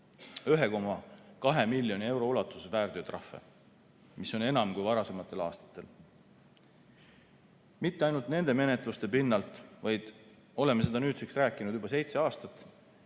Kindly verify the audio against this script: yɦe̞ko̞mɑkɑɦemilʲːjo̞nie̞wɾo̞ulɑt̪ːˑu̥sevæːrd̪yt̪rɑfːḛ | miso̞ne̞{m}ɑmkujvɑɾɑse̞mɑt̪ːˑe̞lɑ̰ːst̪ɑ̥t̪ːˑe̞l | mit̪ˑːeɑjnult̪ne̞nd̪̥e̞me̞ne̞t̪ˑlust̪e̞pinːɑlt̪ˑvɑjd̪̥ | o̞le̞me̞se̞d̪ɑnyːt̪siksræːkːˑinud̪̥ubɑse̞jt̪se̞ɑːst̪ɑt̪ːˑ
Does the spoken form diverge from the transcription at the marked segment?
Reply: yes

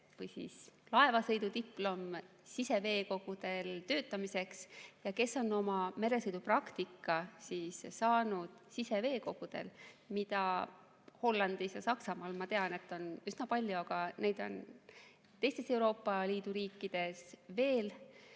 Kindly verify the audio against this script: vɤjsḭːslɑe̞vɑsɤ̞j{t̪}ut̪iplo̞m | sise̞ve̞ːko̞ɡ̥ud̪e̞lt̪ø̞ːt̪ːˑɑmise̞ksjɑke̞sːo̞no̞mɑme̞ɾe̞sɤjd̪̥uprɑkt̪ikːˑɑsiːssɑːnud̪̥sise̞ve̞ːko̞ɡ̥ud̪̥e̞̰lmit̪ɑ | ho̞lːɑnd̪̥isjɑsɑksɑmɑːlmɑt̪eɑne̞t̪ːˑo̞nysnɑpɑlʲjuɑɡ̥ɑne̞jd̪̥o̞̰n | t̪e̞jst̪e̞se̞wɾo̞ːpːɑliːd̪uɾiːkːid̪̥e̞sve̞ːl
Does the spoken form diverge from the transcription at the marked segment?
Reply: yes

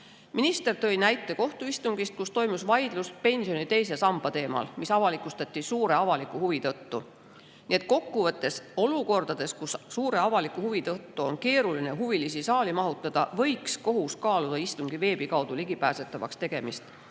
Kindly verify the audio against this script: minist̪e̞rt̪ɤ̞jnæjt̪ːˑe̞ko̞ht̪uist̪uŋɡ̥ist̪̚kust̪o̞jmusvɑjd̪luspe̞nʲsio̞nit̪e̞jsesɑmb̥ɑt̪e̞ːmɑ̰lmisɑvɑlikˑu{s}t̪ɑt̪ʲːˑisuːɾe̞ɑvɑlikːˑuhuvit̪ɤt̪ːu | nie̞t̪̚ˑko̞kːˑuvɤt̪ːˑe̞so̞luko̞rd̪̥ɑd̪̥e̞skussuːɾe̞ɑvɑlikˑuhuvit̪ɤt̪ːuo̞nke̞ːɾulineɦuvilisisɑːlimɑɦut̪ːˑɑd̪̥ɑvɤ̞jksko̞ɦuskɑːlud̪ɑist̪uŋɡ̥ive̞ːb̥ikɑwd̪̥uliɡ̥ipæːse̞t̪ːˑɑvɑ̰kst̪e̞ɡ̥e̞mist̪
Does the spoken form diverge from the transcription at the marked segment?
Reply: no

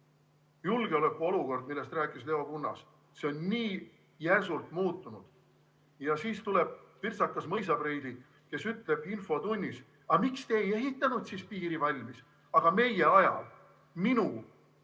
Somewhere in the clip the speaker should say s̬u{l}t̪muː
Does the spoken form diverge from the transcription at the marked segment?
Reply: no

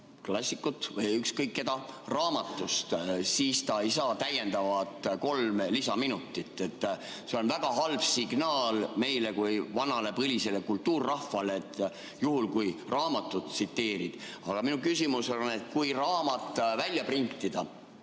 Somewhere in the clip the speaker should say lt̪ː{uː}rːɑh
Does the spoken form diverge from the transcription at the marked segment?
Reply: no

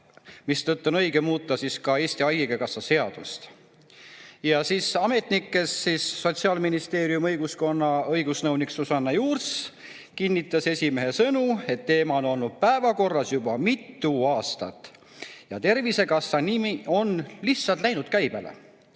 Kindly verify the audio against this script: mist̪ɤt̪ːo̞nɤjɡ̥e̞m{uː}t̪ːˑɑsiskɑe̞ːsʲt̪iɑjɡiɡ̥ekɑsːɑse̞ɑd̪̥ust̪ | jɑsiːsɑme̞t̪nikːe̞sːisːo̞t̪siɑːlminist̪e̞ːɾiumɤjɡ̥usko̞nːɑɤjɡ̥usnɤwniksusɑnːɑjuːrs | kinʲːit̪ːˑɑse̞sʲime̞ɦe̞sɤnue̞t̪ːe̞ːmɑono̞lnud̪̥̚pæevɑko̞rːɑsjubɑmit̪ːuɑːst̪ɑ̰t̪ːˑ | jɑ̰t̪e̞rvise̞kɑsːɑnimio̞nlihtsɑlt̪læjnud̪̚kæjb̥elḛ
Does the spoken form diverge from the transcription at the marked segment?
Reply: no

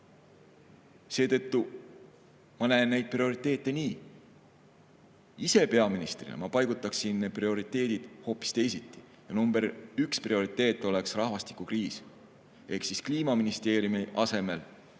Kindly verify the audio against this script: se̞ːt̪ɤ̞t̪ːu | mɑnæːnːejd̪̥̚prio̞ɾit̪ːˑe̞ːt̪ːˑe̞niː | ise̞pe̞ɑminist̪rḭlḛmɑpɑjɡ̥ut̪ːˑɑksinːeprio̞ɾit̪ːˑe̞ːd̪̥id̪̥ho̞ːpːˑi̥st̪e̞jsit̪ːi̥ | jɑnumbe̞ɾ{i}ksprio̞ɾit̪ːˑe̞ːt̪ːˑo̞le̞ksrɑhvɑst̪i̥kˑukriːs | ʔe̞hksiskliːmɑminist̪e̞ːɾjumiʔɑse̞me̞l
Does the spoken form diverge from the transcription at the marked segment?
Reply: yes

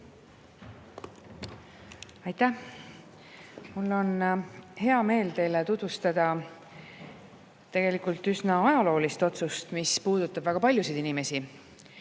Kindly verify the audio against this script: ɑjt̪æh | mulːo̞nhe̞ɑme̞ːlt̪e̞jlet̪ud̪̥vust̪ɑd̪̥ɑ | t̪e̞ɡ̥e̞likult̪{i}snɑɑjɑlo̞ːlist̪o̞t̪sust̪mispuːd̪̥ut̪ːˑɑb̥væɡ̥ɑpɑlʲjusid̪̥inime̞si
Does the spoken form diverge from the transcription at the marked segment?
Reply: yes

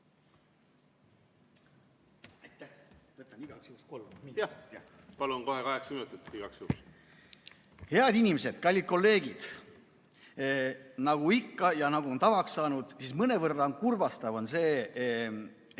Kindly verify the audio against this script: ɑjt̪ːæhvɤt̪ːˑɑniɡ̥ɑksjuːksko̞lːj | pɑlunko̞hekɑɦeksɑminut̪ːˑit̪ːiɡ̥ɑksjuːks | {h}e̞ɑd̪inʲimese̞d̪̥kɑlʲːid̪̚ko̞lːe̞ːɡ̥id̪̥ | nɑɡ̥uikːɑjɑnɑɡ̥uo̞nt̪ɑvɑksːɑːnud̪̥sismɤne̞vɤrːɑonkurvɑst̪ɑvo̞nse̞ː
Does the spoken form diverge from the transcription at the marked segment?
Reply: no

